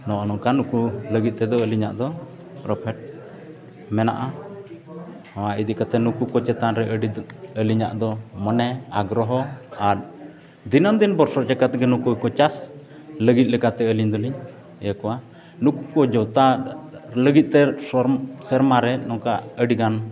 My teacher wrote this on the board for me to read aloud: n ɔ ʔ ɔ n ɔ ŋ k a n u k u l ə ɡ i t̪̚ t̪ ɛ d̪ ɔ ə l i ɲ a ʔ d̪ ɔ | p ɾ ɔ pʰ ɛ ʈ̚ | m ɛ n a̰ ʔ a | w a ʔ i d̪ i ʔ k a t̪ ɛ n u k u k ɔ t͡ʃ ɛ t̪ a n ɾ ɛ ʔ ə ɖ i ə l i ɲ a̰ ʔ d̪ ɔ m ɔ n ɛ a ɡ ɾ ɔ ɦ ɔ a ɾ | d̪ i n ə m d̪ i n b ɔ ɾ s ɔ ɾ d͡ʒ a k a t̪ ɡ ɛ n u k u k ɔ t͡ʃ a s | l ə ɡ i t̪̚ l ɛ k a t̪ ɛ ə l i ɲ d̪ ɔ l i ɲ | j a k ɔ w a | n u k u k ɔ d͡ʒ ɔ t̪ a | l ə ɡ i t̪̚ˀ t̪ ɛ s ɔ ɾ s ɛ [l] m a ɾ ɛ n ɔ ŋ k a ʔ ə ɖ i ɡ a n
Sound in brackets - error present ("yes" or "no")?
yes